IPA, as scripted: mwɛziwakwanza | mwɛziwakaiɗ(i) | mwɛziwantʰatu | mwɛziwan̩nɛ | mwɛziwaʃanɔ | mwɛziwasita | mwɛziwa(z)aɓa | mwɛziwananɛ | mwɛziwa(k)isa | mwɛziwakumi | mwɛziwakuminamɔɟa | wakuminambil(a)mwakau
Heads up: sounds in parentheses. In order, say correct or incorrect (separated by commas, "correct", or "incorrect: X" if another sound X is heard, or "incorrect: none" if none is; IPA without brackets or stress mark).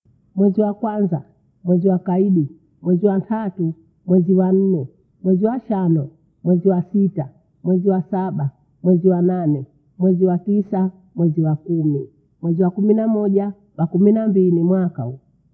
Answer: correct, incorrect: s, incorrect: t, incorrect: i